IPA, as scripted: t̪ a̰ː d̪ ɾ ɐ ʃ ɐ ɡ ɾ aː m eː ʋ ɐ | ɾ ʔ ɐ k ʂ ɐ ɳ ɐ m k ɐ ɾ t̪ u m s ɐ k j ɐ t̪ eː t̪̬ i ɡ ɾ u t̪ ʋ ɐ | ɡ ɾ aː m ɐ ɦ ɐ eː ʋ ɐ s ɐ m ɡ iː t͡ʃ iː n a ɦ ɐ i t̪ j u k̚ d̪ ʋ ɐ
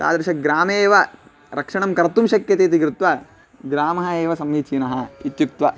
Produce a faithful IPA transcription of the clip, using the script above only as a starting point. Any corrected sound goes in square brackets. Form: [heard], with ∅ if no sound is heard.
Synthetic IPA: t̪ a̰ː d̪ ɾ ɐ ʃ ɐ ɡ ɾ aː m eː ʋ ɐ | ɾ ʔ ɐ k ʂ ɐ ɳ ɐ m k ɐ ɾ t̪ u m [ʃ] ɐ k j ɐ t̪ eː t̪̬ i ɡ ɾ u t̪ ʋ ɐ | ɡ ɾ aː m ɐ ɦ ɐ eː ʋ ɐ s ɐ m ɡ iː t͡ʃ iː n [ɐ] ɦ ɐ i t̪ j u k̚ [t̪] ʋ ɐ